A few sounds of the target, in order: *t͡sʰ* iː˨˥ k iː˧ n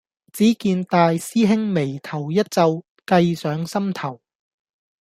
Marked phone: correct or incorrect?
incorrect